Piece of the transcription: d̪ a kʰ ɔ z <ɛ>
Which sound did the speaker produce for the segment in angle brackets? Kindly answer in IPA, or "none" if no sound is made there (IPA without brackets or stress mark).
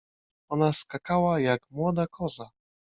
a